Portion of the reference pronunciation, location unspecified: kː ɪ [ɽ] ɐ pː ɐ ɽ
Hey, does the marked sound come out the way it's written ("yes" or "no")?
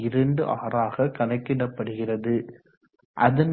yes